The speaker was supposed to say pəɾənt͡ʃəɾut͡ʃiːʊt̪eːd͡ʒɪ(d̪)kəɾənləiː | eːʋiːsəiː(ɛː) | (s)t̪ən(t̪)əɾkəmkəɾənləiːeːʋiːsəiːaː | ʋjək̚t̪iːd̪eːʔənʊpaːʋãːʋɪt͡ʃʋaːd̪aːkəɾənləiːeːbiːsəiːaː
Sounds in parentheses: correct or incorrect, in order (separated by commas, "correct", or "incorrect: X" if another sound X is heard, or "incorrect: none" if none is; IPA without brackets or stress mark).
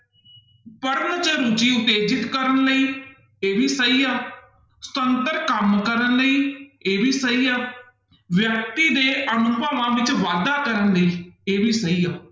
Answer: incorrect: t̪, incorrect: aː, correct, correct